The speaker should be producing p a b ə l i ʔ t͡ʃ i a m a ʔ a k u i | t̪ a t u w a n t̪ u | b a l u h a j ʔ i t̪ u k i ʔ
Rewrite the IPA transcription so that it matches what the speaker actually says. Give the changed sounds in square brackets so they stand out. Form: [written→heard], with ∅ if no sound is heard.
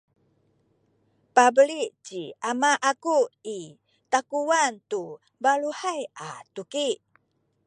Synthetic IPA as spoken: p a b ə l i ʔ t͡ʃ i a m a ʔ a k u i | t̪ a [t→k] u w a n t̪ u | b a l u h a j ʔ [i→a] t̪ u k i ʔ